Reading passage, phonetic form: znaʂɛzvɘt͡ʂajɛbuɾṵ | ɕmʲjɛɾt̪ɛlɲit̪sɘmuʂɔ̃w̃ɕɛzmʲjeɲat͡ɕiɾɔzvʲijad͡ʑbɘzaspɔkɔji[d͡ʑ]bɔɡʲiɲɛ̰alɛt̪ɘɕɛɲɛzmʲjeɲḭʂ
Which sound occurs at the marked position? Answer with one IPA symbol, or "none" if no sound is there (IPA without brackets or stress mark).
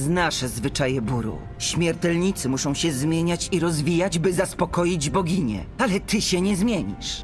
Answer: d͡ʑ